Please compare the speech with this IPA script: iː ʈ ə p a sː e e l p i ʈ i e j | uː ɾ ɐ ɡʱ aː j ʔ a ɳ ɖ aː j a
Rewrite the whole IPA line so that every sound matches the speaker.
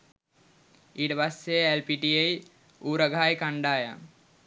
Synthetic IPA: iː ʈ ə p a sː e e l p i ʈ i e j | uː ɾ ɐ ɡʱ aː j k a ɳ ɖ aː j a